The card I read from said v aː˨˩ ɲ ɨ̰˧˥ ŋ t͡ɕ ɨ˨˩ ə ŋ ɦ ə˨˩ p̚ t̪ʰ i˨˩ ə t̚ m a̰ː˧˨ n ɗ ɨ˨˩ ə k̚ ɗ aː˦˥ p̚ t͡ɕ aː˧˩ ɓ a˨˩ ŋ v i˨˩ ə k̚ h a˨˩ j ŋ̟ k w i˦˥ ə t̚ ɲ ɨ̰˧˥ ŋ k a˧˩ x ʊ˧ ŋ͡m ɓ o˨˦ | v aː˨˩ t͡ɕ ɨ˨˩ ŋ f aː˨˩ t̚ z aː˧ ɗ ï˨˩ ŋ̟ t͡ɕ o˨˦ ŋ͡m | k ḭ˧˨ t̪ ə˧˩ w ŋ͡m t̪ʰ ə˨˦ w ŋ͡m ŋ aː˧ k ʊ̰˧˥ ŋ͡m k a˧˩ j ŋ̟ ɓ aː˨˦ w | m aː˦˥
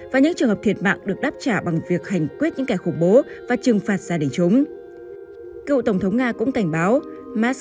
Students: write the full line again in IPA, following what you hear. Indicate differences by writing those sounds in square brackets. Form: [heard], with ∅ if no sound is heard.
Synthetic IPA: v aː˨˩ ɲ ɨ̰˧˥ ŋ t͡ɕ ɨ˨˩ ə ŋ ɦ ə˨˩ p̚ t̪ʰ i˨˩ ə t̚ m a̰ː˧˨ [ŋ] ɗ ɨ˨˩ ə k̚ ɗ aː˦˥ p̚ t͡ɕ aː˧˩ ɓ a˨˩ ŋ v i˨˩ ə k̚ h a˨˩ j ŋ̟ k w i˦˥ ə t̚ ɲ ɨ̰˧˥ ŋ k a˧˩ x [ʊ˧˩] ŋ͡m ɓ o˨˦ | v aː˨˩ t͡ɕ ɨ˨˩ ŋ f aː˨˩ t̚ z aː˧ ɗ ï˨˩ ŋ̟ t͡ɕ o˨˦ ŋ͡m | k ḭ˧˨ t̪ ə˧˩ w ŋ͡m t̪ʰ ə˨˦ w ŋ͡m ŋ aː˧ k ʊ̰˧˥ ŋ͡m k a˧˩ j ŋ̟ ɓ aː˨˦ w | m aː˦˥